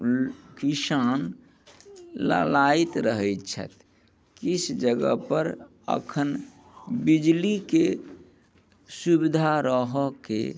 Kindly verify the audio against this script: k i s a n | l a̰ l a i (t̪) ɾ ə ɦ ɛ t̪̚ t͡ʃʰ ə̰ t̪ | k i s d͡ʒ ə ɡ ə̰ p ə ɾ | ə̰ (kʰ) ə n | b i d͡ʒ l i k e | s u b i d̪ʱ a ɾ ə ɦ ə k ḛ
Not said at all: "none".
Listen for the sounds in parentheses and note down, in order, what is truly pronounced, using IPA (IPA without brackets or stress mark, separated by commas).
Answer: t̪, kʰ